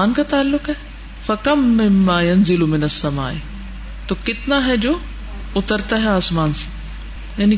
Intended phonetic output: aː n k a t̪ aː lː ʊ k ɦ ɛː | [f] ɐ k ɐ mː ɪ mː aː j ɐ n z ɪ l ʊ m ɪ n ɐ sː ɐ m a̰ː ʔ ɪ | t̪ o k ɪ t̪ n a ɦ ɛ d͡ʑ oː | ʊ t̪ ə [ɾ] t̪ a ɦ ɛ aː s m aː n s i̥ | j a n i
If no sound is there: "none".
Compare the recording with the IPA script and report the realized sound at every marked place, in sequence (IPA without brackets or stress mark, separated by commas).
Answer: f, ɾ